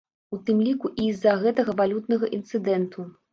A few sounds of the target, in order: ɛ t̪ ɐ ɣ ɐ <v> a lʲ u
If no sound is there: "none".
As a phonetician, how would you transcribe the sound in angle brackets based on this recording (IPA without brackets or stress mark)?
v